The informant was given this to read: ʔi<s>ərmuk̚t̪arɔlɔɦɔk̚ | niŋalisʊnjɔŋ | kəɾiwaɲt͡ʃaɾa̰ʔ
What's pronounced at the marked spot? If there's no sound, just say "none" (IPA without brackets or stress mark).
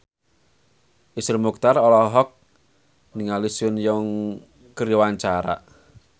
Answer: s